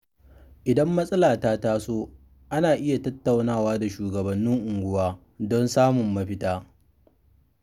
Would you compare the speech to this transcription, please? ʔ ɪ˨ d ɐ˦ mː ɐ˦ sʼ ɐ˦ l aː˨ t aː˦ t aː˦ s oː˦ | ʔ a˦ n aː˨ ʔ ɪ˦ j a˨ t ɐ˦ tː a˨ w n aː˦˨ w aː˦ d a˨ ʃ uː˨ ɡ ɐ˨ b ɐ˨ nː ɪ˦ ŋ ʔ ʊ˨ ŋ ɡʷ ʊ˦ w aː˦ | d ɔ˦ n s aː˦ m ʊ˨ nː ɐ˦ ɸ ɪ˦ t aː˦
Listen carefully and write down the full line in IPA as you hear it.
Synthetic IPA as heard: ʔ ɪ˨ d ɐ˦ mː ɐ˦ sʼ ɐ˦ l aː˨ t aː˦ t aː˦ s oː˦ | ʔ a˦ n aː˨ ʔ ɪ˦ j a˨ t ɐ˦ tː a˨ w n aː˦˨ w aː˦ d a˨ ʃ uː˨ ɡ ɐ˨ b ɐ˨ nː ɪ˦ ŋ ʔ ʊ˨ ŋ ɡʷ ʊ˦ w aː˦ | d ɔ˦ n s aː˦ m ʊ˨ mː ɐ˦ ɸ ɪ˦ t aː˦